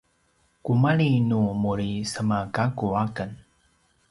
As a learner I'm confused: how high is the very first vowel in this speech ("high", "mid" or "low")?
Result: high